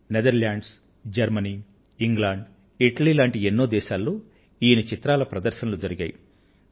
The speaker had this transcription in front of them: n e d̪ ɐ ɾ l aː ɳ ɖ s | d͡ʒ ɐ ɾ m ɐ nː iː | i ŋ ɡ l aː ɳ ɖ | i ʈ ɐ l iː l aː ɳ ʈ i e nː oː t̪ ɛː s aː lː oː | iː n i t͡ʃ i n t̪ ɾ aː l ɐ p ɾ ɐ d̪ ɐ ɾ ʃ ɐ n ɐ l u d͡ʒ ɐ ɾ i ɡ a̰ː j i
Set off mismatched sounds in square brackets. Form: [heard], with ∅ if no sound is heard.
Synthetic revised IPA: n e d̪ ɐ ɾ l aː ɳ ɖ s | d͡ʒ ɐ ɾ m ɐ [n] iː | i ŋ ɡ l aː ɳ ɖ | i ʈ ɐ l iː l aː ɳ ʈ i e nː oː [d̪] ɛː [ʃ] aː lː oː | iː n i t͡ʃ i [∅] t̪ ɾ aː l ɐ p ɾ ɐ d̪ ɐ ɾ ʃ ɐ n ɐ l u d͡ʒ ɐ ɾ i ɡ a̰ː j i